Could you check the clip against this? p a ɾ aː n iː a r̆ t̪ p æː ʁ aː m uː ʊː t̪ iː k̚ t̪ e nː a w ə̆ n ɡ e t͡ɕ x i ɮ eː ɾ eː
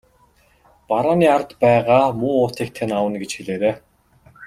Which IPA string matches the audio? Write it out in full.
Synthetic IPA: p a ɾ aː n iː a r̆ t̪ p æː ʁ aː m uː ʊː t̪ iː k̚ t̪ʰ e n a w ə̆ n ɡ e t͡ɕ x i ɮ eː ɾ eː